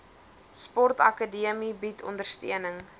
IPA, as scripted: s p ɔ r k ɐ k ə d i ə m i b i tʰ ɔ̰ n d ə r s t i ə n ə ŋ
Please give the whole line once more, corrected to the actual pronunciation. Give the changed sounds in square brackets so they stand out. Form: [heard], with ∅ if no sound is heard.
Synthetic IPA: s p ɔ r [t] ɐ k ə d i ə m i b i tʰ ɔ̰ n d ə r s t i ə n ə ŋ